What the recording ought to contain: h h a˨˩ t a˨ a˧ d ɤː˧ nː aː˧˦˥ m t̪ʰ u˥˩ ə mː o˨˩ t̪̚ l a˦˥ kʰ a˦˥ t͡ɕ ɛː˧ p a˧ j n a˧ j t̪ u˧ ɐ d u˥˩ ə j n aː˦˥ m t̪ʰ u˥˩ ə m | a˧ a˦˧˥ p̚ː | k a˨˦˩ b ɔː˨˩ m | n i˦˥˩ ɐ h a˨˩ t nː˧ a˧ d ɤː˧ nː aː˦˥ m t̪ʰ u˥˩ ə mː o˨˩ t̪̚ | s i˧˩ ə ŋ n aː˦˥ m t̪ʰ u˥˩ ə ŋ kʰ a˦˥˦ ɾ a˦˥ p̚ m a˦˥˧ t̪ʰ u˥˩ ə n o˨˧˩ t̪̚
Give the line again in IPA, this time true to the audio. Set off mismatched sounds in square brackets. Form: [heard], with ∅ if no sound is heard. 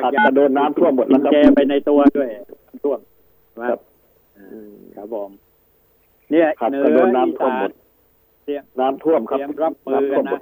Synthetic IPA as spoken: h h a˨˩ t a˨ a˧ d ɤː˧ nː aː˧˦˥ m t̪ʰ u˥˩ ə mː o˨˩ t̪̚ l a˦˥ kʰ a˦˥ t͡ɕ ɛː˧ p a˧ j n a˧ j t̪ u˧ ɐ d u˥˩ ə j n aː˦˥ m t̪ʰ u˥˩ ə m | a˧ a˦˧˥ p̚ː | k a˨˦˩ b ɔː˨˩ m | n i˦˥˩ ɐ h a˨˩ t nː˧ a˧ d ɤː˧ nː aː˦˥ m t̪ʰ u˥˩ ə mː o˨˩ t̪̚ | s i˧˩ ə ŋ n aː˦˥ m t̪ʰ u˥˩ ə [m] kʰ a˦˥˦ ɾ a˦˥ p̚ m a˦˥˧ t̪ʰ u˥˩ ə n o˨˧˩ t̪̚